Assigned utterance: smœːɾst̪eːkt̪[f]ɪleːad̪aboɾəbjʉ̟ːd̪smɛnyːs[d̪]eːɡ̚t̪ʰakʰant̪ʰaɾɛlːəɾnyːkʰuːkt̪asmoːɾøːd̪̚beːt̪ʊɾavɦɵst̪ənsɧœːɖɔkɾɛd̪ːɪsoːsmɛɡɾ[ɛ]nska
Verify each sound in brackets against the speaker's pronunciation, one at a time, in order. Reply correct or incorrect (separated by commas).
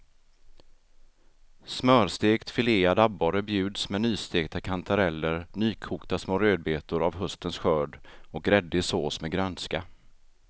correct, incorrect, incorrect